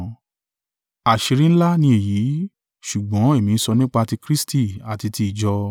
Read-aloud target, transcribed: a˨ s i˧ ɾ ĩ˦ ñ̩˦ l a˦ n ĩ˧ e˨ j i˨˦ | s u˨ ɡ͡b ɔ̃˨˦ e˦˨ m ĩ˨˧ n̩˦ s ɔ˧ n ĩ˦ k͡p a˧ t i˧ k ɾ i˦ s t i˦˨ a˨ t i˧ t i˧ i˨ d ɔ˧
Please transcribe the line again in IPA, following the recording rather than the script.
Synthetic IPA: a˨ ʃ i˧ ɾ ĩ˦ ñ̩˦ l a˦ n ĩ˧ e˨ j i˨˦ | ʃ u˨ ɡ͡b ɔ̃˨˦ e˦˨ m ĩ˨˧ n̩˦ s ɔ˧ n ĩ˦ k͡p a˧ t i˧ k ɾ i˦ s t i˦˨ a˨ t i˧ t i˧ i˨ d͡ʒ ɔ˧